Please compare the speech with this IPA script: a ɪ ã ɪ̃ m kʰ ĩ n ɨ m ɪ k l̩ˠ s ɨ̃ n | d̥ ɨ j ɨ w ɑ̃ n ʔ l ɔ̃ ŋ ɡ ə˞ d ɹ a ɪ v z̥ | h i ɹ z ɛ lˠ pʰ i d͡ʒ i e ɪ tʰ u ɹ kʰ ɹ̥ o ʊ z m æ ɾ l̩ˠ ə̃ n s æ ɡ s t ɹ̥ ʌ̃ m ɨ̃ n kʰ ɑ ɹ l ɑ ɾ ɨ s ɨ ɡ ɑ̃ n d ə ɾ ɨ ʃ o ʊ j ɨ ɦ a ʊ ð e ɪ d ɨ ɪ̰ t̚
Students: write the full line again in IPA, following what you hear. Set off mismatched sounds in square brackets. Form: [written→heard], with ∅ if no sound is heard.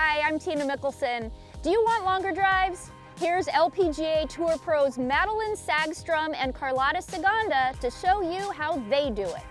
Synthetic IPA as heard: a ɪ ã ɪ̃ m [kʰ→tʰ] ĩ n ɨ m ɪ k l̩ˠ s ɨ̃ n | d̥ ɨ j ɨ w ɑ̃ n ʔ l ɔ̃ ŋ ɡ ə˞ d ɹ a ɪ v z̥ | h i ɹ z ɛ lˠ pʰ i d͡ʒ i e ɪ tʰ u ɹ [kʰ→pʰ] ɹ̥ o ʊ z m æ ɾ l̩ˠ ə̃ n s æ ɡ s t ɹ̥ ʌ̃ m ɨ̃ n kʰ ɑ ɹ l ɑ ɾ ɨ s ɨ ɡ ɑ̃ n d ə ɾ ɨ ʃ o ʊ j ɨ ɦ a ʊ ð e ɪ d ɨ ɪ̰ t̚